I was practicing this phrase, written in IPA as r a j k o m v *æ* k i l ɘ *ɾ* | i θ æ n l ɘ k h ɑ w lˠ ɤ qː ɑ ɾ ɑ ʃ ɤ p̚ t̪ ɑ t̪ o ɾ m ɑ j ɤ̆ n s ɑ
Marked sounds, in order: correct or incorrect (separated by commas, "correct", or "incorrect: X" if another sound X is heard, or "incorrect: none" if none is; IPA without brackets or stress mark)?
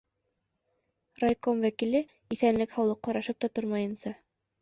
correct, incorrect: none